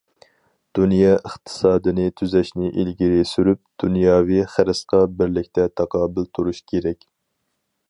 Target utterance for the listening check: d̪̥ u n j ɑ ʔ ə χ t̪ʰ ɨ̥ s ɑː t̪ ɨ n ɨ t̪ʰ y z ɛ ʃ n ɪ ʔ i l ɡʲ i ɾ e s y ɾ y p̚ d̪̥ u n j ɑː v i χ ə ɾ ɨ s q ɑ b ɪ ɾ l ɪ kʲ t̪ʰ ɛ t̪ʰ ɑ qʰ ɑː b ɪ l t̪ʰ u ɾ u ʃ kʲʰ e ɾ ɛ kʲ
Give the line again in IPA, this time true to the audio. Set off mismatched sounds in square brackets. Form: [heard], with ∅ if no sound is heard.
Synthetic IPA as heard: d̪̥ u n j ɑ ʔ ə χ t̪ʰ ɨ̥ s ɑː [d̪] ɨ n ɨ t̪ʰ y z ɛ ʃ n ɪ ʔ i l ɡʲ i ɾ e s y ɾ y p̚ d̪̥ u n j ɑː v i χ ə ɾ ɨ s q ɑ b ɪ ɾ l ɪ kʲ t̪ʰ ɛ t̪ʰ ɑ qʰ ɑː b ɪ l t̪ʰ u ɾ u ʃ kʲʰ e ɾ ɛ kʲ